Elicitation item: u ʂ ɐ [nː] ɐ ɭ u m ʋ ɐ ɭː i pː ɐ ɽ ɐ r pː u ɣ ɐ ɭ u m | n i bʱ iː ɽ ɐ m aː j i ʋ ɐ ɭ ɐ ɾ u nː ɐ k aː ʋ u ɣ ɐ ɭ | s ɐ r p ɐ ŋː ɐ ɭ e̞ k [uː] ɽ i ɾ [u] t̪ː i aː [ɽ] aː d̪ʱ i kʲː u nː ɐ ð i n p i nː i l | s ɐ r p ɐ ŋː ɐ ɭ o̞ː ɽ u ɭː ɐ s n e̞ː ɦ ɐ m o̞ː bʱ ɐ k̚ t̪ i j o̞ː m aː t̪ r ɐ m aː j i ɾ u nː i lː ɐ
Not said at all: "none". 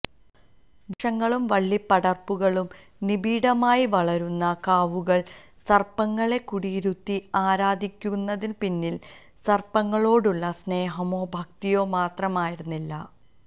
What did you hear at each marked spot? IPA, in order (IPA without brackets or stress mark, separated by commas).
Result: ŋː, u, u, ɾ